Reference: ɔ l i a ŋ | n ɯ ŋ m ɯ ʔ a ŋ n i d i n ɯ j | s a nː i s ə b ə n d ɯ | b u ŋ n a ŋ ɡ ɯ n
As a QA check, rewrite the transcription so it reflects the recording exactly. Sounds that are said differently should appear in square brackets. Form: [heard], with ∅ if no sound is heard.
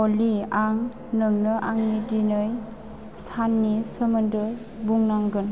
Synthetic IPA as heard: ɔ l i a ŋ | n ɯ ŋ [n] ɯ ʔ a ŋ n i d i n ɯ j | s a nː i s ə [m] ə n d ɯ | b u ŋ n a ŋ ɡ ɯ n